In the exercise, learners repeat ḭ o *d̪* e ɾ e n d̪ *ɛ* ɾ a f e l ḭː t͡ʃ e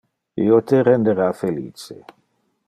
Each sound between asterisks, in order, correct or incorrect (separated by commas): incorrect, incorrect